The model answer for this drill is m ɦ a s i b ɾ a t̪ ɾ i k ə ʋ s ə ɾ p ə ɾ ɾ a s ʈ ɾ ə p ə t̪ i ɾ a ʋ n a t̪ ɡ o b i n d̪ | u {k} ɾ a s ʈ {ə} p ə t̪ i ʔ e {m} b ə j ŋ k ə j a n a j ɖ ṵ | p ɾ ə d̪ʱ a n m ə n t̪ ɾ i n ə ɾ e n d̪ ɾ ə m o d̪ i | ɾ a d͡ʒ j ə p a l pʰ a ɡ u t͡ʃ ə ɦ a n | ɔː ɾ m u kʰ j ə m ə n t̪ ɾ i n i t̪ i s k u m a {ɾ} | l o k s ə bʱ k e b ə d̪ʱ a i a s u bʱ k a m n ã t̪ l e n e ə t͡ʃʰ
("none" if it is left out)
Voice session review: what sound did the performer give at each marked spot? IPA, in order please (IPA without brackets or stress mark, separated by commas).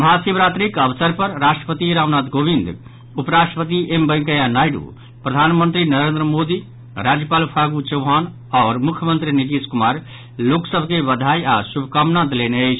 p, ə, m, ɾ